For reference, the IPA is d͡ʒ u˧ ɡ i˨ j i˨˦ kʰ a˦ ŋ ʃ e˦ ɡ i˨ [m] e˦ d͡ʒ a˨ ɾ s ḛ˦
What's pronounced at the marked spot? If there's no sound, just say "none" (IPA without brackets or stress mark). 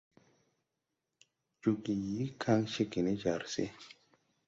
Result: n